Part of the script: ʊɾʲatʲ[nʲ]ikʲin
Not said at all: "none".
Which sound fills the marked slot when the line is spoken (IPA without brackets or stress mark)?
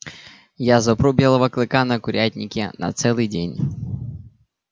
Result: nʲ